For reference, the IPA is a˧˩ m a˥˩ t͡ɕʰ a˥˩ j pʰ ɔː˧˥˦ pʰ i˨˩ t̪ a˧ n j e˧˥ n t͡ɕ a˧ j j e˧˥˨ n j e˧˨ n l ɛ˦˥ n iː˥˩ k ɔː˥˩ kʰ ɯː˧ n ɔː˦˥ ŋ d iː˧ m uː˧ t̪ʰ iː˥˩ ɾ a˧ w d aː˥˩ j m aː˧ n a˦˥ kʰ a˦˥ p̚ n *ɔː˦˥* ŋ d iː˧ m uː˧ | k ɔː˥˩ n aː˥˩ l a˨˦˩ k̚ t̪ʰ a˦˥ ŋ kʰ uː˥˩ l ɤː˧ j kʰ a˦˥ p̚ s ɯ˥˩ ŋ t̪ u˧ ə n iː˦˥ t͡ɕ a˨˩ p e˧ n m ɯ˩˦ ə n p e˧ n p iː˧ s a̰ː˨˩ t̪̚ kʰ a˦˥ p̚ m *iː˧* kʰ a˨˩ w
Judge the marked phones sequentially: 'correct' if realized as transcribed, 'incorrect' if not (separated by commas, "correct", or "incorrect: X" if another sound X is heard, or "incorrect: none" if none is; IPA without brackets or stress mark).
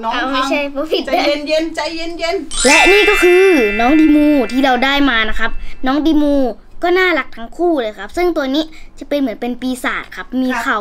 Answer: correct, correct